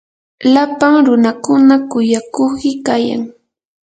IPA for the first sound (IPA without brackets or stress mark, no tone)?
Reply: l